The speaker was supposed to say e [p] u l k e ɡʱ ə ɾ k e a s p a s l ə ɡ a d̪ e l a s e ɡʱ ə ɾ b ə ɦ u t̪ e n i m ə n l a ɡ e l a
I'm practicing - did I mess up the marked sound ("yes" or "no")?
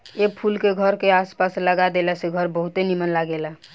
yes